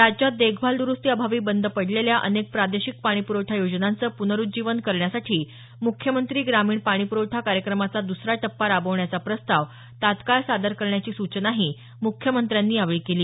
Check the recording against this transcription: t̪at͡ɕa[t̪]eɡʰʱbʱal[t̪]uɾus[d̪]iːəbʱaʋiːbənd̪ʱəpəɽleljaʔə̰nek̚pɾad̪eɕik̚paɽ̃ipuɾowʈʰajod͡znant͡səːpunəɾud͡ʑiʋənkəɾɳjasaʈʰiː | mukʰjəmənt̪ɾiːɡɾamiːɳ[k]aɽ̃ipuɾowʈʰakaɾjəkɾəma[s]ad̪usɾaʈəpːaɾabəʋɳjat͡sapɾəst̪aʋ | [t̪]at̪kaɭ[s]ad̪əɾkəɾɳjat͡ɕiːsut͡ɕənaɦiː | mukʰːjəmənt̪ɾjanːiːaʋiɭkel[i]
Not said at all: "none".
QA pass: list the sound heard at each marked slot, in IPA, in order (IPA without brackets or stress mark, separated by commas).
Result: d̪, d̪, t̪, p, t͡s, t̪, s, iː